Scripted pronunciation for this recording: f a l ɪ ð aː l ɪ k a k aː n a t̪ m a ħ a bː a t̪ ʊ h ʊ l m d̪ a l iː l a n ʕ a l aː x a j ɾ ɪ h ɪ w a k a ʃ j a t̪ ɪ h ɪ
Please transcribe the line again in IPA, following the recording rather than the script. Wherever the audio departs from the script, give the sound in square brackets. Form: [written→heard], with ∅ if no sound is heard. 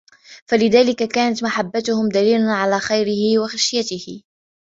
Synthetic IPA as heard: f a l ɪ ð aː l ɪ k a k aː n a t̪ m a ħ a bː a t̪ ʊ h ʊ [l→∅] m d̪ a l iː l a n ʕ a l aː x a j ɾ ɪ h ɪ w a [k→x] a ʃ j a t̪ ɪ h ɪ